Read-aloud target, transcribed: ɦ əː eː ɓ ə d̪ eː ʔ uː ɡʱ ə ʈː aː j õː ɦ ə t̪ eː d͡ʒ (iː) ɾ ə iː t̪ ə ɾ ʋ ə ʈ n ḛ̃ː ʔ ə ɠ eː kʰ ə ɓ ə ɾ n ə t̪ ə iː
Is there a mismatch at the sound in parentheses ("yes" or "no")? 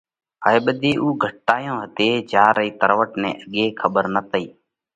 yes